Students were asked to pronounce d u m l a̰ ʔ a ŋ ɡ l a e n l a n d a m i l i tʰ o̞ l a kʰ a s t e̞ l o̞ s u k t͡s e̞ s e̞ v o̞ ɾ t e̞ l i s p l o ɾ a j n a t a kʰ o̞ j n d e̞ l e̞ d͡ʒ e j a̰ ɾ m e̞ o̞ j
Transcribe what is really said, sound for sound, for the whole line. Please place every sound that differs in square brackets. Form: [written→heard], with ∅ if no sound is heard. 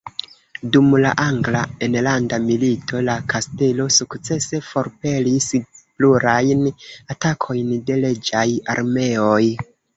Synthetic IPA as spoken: d u m l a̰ ʔ a ŋ ɡ l a e n l a n d a m i l i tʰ o̞ l a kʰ a s t e̞ l o̞ s u k t͡s e̞ s e̞ [v→f] o̞ ɾ [t→p] e̞ l i s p l [o→u] ɾ a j n a t a kʰ o̞ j n d e̞ l e̞ d͡ʒ [e→a] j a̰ ɾ m e̞ o̞ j